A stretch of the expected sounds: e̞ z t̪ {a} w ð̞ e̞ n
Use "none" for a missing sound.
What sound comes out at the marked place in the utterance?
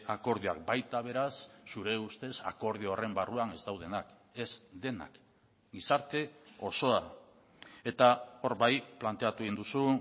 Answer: a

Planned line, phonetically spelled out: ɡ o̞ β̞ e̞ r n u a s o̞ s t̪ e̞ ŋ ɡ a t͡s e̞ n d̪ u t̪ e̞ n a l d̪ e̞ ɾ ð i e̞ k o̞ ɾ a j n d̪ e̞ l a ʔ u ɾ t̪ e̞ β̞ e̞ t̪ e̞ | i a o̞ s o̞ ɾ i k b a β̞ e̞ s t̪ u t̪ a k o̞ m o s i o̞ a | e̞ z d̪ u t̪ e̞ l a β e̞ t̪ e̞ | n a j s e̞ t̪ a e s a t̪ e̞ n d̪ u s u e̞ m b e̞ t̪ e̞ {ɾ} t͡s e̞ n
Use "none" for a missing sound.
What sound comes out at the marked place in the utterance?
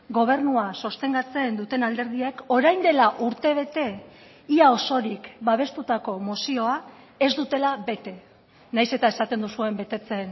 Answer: none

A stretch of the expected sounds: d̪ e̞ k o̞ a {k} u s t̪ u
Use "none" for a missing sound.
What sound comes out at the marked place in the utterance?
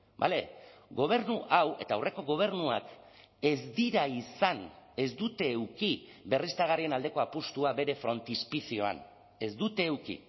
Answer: p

